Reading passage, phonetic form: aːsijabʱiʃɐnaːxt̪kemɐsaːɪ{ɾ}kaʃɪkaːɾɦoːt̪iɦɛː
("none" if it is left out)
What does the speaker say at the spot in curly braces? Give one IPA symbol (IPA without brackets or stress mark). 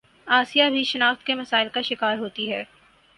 l